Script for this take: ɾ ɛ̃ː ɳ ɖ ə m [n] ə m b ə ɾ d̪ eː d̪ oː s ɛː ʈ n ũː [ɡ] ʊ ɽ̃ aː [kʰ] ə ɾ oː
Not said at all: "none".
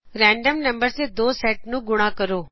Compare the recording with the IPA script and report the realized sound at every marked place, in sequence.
n, ɡ, k

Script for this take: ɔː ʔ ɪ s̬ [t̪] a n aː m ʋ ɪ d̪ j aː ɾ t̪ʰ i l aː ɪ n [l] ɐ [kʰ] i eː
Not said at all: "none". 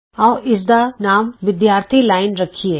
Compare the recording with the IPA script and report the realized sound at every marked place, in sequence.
d̪, ɾ, kʰ

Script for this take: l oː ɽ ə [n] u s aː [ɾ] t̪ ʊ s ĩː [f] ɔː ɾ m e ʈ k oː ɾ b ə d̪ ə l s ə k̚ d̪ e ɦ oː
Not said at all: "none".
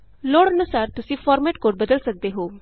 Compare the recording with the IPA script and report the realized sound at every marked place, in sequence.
n, ɾ, f

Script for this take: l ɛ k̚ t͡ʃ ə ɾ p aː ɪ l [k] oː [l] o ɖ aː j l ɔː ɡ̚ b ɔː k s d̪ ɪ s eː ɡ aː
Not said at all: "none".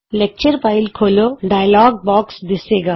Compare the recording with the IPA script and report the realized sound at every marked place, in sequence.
kʰ, l

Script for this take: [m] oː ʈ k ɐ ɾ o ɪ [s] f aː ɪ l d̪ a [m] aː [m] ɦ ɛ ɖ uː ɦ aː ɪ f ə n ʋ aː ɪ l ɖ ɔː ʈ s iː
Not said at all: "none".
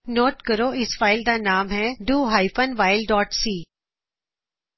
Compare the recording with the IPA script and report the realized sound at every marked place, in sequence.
n, s, n, m

